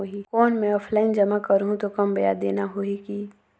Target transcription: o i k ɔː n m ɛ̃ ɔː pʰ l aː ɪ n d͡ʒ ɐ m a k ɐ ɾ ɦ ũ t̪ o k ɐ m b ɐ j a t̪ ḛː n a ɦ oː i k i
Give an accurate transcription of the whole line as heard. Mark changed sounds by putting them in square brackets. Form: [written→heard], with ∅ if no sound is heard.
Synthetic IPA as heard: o i k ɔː n m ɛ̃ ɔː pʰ l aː ɪ n d͡ʒ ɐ m a k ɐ ɾ ɦ ũ t̪ o k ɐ m b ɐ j a [t̪→d̪] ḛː n a ɦ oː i k i